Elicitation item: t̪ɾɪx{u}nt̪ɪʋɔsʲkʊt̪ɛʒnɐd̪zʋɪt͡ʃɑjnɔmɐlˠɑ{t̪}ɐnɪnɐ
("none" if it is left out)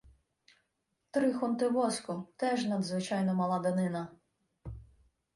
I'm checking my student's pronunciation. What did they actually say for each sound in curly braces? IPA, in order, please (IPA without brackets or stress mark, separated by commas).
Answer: ɔ, d̪